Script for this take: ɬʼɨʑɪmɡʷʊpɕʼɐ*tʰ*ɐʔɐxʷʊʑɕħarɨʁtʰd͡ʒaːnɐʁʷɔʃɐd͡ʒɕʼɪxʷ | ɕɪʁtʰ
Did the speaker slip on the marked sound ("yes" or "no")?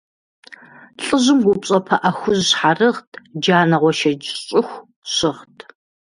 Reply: yes